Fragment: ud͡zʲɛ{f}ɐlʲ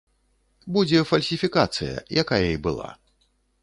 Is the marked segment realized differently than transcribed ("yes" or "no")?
no